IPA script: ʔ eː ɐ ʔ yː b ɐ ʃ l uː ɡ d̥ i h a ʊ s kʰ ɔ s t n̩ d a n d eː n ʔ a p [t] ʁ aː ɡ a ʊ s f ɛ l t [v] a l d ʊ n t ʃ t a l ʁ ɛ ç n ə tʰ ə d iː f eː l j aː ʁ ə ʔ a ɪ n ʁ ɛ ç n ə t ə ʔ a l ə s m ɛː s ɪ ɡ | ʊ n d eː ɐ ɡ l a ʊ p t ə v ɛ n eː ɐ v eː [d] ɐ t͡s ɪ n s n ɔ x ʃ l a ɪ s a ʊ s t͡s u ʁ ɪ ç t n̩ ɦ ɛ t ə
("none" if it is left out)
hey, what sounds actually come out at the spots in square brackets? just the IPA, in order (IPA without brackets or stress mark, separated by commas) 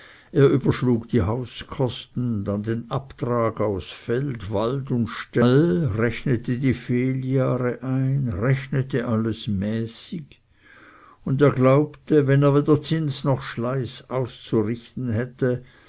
t, v, d